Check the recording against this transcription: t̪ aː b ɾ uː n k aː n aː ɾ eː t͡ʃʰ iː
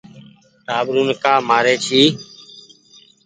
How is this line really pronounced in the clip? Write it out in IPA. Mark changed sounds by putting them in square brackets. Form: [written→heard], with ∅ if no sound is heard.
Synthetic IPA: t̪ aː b ɾ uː n k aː [n→m] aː ɾ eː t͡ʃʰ iː